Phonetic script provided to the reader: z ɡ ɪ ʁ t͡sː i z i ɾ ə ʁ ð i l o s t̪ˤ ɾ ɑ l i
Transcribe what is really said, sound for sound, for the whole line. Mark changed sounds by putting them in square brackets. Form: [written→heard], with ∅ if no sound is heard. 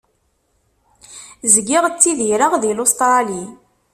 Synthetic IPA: z ɡ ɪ ʁ t͡sː i [z→ð] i ɾ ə ʁ ð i l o s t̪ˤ ɾ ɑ l i